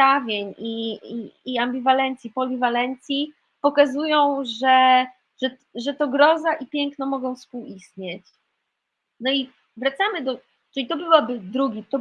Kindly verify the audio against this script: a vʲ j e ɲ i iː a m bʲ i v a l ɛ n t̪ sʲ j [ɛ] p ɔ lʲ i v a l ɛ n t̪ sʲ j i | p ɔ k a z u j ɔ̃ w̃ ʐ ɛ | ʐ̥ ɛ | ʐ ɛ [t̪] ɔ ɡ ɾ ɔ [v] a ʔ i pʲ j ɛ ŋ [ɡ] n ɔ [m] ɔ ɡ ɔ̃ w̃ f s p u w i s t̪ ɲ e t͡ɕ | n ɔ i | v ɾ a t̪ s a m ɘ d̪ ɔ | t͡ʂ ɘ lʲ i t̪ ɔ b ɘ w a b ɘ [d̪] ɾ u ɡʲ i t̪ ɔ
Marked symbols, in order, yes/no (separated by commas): no, yes, no, no, yes, yes